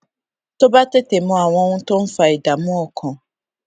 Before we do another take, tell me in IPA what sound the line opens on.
t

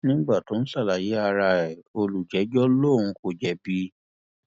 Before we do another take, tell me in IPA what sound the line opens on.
n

